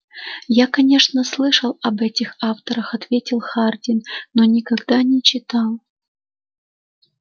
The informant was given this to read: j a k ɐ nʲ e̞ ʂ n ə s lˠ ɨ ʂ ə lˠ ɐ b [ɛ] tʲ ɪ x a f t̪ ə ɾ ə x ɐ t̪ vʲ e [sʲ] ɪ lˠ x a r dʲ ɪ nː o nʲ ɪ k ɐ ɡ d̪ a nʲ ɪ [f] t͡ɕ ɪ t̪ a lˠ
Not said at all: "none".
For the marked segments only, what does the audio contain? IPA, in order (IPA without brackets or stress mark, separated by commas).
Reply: ɛ, tʲ, none